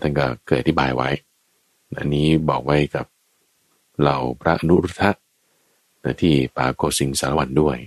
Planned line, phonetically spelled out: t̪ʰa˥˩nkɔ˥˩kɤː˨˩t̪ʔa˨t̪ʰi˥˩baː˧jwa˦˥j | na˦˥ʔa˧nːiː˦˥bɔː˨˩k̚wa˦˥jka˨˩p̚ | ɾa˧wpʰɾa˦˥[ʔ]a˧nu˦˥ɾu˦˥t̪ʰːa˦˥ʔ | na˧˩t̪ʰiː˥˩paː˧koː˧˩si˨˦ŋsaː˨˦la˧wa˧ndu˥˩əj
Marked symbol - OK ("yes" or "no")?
yes